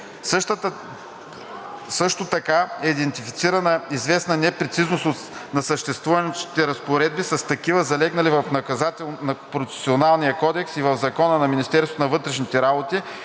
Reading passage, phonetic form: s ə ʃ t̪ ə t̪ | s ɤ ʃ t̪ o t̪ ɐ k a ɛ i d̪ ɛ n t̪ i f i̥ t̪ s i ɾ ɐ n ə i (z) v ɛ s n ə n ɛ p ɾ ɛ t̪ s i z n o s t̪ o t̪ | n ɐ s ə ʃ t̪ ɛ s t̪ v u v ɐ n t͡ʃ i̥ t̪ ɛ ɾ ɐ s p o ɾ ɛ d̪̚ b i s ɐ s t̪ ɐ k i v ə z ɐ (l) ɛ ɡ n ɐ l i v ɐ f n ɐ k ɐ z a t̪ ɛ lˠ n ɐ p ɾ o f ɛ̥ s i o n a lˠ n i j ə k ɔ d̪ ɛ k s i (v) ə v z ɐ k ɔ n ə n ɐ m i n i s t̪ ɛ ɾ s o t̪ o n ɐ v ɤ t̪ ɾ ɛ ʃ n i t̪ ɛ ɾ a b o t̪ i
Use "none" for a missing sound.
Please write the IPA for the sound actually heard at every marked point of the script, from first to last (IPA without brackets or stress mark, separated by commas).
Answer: z, l, v